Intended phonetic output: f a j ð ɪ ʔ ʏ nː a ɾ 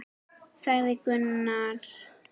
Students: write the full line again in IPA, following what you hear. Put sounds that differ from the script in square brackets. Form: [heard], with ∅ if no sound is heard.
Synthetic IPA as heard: [s] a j ð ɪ [k] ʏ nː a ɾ